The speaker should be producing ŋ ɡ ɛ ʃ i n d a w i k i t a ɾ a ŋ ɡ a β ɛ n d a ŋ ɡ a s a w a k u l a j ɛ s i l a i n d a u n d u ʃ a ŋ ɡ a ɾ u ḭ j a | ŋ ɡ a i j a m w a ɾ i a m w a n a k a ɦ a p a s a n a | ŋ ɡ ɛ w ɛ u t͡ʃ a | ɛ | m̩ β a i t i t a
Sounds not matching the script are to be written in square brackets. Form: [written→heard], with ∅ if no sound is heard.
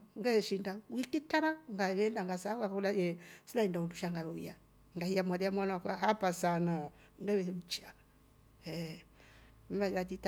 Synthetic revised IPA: ŋ ɡ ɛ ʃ i n d a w i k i t a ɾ a ŋ ɡ a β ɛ n d a ŋ ɡ a s a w a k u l a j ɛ s i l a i n d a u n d u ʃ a ŋ ɡ a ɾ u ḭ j a | ŋ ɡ a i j a m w a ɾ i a m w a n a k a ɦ a p a s a n a | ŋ ɡ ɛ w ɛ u t͡ʃ a | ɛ | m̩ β a [i→a] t i t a